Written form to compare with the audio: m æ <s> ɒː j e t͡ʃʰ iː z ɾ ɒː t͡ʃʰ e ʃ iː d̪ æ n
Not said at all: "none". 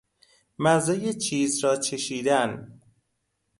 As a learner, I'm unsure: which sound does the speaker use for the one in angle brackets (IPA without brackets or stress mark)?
z